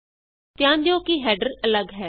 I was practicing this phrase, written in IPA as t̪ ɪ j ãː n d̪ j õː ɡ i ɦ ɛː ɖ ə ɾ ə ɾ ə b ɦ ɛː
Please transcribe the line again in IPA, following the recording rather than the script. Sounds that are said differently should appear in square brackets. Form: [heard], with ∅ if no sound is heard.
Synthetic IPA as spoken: t̪ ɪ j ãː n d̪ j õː [k] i ɦ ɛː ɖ ə ɾ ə [l] ə [ɡ] ɦ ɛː